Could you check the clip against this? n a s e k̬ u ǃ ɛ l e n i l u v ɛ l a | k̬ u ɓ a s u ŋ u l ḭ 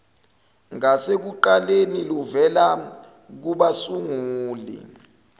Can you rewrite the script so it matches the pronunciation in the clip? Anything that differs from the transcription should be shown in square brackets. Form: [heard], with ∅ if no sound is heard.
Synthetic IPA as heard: [ŋ] a s e k̬ u ǃ [a] l e n i l u v ɛ l a | k̬ u ɓ a s u ŋ [uː] l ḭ